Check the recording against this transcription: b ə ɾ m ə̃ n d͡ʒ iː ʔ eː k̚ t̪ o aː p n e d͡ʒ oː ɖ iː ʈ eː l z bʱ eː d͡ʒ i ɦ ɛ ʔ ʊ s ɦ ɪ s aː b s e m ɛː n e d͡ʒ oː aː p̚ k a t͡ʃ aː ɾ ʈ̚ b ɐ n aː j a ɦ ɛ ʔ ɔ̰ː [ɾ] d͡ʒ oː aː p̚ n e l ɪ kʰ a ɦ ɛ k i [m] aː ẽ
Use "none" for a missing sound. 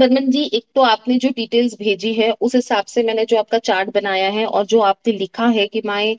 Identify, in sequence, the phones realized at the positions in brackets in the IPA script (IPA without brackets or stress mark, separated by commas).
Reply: ɾ, m